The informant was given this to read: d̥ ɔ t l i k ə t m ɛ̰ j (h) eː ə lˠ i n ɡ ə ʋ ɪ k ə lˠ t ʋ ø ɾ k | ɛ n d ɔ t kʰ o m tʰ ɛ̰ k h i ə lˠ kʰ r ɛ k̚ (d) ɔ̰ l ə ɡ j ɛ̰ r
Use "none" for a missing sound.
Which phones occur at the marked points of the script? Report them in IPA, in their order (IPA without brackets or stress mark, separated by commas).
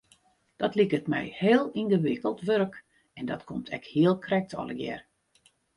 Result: h, t